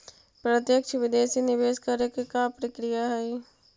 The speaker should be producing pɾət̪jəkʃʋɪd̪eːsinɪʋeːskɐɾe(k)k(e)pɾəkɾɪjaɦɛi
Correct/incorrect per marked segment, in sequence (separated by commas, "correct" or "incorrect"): correct, incorrect